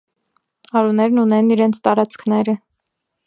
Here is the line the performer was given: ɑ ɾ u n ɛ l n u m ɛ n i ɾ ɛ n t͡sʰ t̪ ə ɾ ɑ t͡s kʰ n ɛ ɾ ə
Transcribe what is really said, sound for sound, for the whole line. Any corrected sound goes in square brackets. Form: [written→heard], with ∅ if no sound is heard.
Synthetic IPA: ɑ ɾ u n ɛ [l→ɾ] n u [m→n] ɛ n i ɾ ɛ n t͡sʰ t̪ [ə→ɑ] ɾ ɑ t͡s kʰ n ɛ ɾ ə

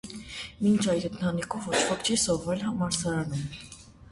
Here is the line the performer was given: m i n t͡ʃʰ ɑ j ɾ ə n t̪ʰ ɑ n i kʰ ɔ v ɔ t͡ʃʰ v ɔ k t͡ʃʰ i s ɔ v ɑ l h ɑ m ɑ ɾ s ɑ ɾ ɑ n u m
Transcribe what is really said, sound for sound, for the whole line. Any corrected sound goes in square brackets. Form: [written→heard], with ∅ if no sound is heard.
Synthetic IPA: m i n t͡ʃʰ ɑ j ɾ ə n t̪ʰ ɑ n i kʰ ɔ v ɔ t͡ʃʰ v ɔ k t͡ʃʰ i s ɔ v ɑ l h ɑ m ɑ ɾ s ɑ ɾ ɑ n u m

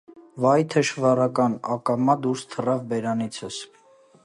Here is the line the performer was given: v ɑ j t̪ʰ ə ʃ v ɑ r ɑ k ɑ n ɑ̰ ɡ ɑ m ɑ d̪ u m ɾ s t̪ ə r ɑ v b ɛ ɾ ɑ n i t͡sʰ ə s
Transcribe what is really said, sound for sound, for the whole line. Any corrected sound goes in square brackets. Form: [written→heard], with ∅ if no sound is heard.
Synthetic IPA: v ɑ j t̪ʰ ə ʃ v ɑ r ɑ k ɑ n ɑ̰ [ɡ→k] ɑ m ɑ d̪ u [m→∅] ɾ s [t̪→t̪ʰ] ə r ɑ v b ɛ ɾ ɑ n i t͡sʰ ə s

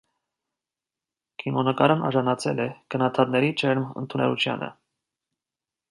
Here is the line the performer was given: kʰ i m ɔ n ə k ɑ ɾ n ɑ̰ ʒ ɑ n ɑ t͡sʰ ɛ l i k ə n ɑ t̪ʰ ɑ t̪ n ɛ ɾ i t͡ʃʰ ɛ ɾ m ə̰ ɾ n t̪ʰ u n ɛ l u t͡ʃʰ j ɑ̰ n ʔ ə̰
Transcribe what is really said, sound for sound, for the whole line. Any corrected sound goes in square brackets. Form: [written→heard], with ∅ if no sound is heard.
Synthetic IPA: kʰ i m ɔ n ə k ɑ ɾ n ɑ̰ ʒ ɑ n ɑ t͡sʰ ɛ l [i→ɛ] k ə n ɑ t̪ʰ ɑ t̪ n ɛ ɾ i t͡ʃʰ ɛ ɾ m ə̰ [ɾ→∅] n t̪ʰ u n ɛ l u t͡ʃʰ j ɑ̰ n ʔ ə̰

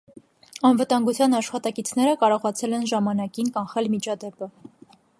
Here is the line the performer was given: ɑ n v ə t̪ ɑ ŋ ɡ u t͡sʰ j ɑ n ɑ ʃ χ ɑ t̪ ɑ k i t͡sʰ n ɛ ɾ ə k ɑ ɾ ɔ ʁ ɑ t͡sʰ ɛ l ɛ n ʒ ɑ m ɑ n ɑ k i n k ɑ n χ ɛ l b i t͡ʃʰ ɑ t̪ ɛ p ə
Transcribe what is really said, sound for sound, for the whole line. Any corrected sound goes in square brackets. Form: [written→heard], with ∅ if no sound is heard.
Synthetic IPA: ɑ n v ə t̪ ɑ ŋ ɡ u t͡sʰ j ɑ n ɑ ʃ χ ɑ t̪ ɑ k i t͡sʰ n ɛ ɾ ə k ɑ ɾ ɔ ʁ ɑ t͡sʰ ɛ l ɛ n ʒ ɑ m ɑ n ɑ k i n k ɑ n χ ɛ l [b→m] i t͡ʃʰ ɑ [t̪→d̪] ɛ p ə

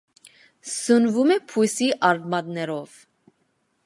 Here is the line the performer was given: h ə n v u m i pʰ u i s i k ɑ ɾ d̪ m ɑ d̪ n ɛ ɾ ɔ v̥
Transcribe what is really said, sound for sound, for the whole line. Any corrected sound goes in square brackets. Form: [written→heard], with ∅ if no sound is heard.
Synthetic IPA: [h→s] ə n v u m [i→ɛ] pʰ u [i→j] s i [k→ʔ] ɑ ɾ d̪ m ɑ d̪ n ɛ ɾ ɔ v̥

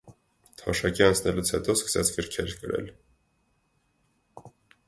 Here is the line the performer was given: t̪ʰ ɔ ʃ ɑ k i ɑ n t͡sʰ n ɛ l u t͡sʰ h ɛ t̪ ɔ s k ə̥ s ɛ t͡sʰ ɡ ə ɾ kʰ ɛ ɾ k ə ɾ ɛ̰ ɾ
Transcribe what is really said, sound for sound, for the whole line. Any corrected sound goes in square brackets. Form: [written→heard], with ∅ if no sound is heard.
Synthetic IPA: t̪ʰ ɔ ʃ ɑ k i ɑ n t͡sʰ n ɛ l u t͡sʰ h ɛ t̪ ɔ s k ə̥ s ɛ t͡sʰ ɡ ə ɾ kʰ ɛ ɾ k ə ɾ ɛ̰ [ɾ→l]

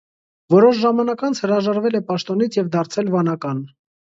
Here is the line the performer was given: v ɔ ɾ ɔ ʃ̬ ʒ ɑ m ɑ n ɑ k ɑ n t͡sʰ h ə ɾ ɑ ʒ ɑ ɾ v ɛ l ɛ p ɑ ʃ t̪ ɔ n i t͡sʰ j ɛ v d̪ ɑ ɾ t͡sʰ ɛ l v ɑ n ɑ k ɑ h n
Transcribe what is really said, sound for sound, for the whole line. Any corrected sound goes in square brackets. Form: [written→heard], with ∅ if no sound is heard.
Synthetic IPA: v ɔ ɾ ɔ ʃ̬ ʒ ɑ m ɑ n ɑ k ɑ n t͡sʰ h ə ɾ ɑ ʒ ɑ ɾ v ɛ l ɛ p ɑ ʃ t̪ ɔ n i t͡sʰ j ɛ v d̪ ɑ ɾ t͡sʰ ɛ l v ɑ n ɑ k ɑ [h→∅] n

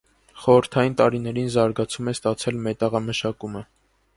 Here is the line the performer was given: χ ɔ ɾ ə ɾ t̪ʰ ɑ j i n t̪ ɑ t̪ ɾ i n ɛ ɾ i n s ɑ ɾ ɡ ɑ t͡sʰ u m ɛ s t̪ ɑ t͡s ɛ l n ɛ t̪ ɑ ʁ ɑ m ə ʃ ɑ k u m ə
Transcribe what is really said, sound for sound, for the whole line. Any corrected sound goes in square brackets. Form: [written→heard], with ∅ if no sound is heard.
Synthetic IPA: χ ɔ ɾ ə ɾ t̪ʰ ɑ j i n t̪ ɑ [t̪→∅] ɾ i n ɛ ɾ i n [s→z] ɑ ɾ ɡ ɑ t͡sʰ u m ɛ s t̪ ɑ [t͡s→t͡sʰ] ɛ l [n→m] ɛ t̪ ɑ ʁ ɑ m ə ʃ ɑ k u m ə

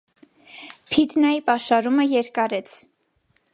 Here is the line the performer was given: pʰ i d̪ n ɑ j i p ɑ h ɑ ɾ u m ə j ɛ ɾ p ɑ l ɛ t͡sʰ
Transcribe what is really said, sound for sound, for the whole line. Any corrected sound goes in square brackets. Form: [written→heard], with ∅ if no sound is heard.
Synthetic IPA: pʰ i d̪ n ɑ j i p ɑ [h→ʃ] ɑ ɾ u m ə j ɛ ɾ [p→k] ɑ [l→ɾ] ɛ t͡sʰ

